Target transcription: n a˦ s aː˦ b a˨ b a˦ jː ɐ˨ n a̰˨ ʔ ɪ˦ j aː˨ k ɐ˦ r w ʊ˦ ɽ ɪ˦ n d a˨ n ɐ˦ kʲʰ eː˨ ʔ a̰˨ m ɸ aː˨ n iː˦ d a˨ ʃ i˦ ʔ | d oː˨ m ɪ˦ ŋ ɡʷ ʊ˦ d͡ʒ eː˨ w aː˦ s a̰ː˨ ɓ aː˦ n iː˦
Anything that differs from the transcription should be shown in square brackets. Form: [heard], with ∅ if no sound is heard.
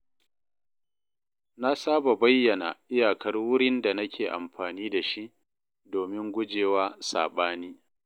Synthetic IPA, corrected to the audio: n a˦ s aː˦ b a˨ b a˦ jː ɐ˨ n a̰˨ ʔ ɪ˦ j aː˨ k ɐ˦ r w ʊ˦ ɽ ɪ˦ n d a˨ n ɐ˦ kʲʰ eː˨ ʔ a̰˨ m ɸ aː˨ n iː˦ d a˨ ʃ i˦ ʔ | d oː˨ m ɪ˦ ŋ ɡʷ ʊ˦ d͡ʒ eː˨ w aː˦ s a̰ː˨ ɓ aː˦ n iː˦

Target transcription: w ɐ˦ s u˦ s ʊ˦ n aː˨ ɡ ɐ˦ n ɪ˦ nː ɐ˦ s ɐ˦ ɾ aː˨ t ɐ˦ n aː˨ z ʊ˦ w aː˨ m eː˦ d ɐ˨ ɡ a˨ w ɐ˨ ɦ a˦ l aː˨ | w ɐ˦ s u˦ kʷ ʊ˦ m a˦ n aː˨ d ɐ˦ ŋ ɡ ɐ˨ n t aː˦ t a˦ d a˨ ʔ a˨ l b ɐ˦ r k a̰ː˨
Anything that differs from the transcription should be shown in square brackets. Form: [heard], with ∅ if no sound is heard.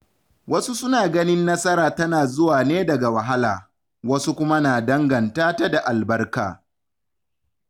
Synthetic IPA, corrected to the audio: w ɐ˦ s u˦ s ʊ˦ n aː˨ ɡ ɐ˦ n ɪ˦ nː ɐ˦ s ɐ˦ ɾ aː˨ t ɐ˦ n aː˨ z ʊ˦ w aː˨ [n] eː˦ d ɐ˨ ɡ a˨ w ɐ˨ ɦ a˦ l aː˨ | w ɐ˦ s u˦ kʷ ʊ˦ m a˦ n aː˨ d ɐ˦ ŋ ɡ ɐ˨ n t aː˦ t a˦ d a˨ ʔ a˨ l b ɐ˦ r k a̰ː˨

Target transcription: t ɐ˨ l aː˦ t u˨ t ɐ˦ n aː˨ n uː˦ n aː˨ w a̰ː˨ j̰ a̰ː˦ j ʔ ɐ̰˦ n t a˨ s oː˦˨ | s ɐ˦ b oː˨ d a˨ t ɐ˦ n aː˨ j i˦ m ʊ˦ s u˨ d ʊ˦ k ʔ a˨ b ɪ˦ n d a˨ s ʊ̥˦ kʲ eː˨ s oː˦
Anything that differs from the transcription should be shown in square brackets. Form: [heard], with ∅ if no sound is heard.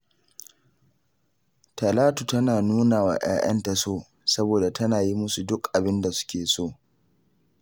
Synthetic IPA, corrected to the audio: t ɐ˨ l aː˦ t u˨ t ɐ˦ n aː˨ n uː˦ n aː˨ w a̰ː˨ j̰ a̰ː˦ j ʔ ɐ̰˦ n t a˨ s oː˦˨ | s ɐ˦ b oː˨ d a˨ t ɐ˦ n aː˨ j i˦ m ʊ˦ s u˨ d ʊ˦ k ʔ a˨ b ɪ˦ n d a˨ s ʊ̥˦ kʲ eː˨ s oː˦

